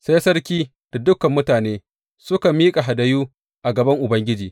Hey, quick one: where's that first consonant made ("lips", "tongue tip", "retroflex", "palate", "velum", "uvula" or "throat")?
tongue tip